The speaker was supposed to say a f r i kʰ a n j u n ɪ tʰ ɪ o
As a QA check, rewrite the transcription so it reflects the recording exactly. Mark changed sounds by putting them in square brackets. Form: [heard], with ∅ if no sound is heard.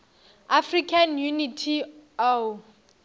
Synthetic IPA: a f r i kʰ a n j u n [i] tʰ [i] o